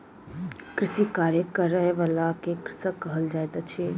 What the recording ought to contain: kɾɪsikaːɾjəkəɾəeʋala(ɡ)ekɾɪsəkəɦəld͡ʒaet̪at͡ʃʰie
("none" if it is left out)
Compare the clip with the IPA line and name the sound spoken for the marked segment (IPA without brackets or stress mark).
k